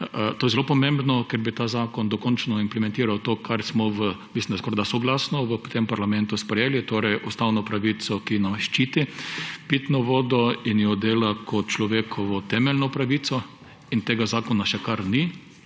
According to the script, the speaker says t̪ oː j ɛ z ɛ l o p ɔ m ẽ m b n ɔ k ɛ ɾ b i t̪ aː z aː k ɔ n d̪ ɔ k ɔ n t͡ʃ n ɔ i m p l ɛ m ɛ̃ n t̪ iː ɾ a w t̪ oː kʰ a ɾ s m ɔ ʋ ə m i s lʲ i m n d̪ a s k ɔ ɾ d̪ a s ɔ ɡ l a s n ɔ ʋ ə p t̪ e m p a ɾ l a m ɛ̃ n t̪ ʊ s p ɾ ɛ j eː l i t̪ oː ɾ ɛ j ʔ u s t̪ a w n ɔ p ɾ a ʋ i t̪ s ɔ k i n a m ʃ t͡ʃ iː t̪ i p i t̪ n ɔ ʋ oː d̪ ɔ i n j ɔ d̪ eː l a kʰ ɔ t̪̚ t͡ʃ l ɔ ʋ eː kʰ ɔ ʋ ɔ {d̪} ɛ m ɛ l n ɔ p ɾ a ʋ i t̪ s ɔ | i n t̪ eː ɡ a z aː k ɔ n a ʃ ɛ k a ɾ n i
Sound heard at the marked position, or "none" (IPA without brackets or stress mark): t̪